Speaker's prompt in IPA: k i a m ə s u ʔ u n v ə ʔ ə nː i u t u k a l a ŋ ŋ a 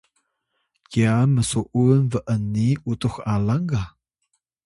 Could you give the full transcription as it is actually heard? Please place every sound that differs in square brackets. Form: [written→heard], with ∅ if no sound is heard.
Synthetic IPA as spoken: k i a m ə s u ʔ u n v ə ʔ ə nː i u t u [k→x] a l a ŋ [ŋ→ɡ] a

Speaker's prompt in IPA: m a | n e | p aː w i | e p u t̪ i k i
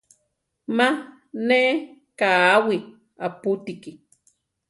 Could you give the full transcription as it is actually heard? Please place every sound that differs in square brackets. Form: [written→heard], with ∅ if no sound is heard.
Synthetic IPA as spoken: m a | n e | [p→k] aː w i | [e→a] p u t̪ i k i

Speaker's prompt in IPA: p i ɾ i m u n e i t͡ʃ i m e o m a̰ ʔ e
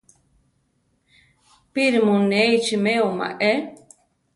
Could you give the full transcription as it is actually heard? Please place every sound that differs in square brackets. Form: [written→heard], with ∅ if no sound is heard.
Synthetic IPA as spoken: p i ɾ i m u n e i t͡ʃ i m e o m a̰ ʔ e

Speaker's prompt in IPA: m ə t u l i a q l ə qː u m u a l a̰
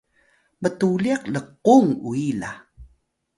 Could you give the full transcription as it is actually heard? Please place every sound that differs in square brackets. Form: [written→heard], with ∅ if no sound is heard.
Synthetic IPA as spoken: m ə t u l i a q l ə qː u [m→ŋ] u [a→i] l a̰

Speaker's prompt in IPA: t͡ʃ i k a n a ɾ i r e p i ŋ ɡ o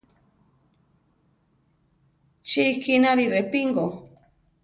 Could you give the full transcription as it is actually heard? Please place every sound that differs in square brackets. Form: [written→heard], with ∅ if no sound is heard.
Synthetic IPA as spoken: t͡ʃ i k [a→i] n a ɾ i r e p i ŋ ɡ o

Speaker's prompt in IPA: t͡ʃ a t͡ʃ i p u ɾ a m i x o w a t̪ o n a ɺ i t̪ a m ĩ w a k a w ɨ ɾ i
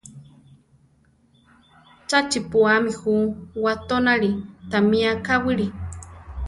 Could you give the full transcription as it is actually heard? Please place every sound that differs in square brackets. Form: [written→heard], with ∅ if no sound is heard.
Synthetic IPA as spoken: t͡ʃ a t͡ʃ i p u [ɾ→∅] a m i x [o→u] w a t̪ o n a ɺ i t̪ a m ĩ [w→∅] a k a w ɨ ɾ i

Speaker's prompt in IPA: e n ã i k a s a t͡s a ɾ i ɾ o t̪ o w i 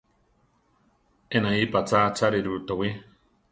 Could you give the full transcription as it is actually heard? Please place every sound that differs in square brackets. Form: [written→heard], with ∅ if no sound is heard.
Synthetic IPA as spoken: e n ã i [k→p] a [s→t͡s] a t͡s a ɾ i ɾ [o→u] t̪ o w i

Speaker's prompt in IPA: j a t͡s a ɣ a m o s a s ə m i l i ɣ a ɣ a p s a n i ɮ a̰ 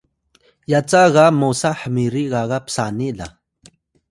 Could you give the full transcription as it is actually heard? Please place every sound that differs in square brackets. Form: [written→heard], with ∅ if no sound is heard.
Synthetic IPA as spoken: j a t͡s a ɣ a m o s a [s→ħ] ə m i [l→ɾ] i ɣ a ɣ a p s a n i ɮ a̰

